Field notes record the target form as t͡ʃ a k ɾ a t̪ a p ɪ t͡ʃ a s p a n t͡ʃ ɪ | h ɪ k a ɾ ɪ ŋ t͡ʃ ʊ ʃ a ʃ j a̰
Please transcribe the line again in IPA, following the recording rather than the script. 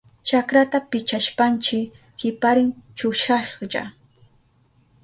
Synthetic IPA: t͡ʃ a k ɾ a t̪ a p ɪ t͡ʃ a ʃ p a n t͡ʃ ɪ | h ɪ p a ɾ ɪ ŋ t͡ʃ ʊ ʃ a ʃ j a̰